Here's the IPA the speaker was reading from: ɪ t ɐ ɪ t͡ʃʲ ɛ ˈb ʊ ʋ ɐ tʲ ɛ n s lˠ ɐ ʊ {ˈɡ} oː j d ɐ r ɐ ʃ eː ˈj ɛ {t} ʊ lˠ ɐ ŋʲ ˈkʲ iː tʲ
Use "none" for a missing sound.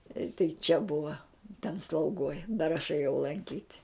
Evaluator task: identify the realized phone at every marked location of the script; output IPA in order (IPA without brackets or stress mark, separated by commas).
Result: ɡ, none